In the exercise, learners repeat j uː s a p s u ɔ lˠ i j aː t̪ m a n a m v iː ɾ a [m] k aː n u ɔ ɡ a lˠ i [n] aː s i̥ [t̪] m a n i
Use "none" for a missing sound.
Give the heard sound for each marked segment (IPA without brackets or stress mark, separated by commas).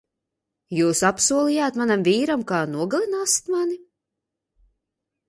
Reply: m, n, t̪